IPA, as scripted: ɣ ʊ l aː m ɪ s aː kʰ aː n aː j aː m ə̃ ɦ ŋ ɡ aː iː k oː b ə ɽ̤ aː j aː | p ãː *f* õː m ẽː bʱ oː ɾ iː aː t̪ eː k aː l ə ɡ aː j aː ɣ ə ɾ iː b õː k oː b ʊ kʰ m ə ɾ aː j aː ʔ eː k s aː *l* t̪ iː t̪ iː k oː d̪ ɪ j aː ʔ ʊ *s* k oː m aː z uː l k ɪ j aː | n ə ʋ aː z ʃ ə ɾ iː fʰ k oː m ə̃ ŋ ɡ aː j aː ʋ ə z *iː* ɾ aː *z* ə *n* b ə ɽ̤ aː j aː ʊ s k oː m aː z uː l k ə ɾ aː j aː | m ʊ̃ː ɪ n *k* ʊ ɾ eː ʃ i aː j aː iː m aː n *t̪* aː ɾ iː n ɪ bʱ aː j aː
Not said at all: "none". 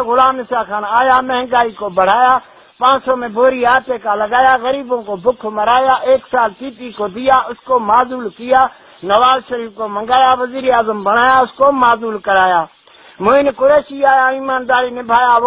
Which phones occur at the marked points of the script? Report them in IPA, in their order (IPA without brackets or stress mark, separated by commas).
s, l, s, iː, z, m, k, d̪